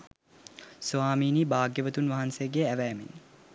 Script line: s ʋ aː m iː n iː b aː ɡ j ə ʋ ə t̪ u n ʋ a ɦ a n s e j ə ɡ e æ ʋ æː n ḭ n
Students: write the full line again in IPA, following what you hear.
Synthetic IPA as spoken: s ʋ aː m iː n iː b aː ɡ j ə ʋ ə t̪ u n ʋ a ɦ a n s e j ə ɡ e æ ʋ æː m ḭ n